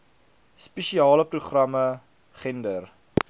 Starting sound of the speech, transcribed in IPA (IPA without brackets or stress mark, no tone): s